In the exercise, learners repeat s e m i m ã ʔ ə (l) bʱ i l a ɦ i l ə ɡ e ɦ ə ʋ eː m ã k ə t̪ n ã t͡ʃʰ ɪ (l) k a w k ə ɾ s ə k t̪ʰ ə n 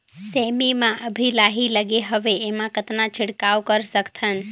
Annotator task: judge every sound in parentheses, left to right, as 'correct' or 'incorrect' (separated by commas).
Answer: incorrect, incorrect